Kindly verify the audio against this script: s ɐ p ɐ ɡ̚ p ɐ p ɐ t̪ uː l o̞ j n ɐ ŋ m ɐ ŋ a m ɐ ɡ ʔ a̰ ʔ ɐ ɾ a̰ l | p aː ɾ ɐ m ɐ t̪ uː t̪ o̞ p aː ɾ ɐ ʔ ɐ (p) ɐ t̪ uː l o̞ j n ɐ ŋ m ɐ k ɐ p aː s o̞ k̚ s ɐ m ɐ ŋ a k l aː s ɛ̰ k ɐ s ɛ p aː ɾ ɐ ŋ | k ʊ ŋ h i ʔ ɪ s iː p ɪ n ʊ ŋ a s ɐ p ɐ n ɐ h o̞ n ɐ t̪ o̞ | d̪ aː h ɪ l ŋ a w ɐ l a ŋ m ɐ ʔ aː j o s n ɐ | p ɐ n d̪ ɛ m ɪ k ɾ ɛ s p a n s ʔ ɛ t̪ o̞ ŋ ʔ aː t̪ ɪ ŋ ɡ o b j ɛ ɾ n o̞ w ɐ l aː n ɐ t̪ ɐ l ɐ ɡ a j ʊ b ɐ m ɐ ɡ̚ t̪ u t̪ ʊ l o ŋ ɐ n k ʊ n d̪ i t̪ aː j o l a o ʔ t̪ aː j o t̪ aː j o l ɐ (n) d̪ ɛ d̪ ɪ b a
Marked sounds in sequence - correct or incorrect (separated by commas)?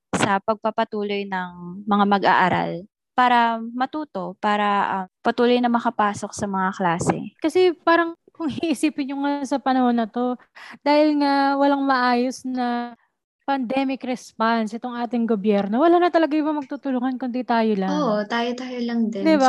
correct, incorrect